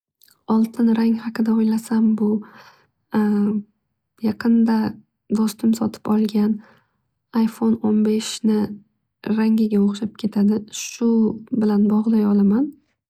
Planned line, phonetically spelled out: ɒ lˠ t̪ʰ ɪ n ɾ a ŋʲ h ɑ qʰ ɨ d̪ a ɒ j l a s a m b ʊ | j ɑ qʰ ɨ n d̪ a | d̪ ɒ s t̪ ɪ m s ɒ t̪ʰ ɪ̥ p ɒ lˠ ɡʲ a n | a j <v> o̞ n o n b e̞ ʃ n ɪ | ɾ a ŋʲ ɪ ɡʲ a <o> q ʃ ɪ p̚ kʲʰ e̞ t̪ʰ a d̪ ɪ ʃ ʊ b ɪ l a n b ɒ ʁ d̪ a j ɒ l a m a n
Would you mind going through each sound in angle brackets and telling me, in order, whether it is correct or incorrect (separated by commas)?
incorrect, correct